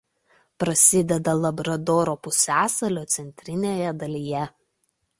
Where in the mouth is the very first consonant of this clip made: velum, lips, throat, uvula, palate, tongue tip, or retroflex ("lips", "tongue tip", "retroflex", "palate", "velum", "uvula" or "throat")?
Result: lips